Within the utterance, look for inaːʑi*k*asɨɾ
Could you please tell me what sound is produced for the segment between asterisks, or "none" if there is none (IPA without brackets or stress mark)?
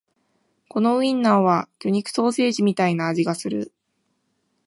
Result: ɡ